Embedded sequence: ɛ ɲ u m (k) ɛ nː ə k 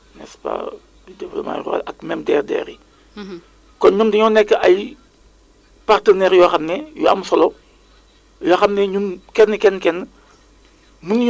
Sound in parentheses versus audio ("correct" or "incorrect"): correct